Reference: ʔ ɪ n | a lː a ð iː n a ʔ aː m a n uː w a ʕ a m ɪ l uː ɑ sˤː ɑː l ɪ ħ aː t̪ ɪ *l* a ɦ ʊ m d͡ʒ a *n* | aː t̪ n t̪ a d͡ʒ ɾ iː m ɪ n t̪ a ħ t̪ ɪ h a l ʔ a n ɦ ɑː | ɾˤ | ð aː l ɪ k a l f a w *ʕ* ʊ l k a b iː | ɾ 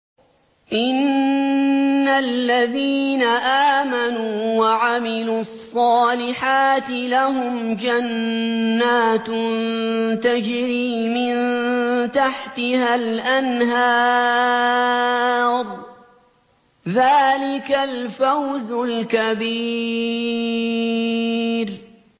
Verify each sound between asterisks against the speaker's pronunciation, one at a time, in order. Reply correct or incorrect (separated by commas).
correct, incorrect, incorrect